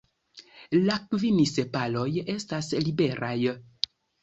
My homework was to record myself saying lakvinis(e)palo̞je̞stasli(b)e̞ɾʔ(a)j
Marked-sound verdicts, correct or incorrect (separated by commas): correct, correct, correct